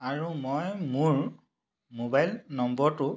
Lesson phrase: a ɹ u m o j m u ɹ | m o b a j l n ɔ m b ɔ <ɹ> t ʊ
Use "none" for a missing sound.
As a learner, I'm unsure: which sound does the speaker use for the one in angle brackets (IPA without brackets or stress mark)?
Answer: ɹ